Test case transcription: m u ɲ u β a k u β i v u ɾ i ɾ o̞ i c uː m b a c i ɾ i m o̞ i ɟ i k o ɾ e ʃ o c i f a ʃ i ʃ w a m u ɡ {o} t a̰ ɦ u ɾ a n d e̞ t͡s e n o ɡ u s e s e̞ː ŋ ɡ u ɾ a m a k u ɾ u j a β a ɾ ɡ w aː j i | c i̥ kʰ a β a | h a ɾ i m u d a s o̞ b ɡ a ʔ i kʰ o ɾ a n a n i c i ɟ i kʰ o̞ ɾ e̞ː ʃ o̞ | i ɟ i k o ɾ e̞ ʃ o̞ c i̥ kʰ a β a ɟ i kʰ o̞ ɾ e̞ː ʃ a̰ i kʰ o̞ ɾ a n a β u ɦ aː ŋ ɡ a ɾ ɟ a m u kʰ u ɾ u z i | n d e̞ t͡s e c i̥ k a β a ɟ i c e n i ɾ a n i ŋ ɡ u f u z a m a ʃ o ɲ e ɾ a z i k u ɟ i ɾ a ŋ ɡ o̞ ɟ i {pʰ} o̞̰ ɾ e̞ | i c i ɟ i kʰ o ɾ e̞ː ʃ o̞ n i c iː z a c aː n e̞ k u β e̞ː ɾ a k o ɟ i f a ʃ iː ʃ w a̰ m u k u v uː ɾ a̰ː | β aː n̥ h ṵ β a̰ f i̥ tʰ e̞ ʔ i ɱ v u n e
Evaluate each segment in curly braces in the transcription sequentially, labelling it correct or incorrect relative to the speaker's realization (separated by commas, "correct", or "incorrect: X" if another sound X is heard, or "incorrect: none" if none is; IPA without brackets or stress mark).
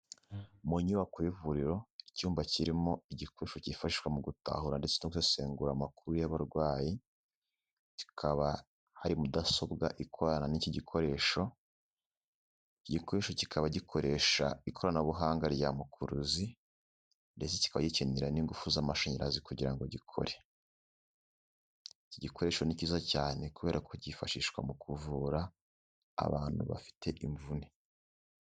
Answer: incorrect: u, incorrect: kʰ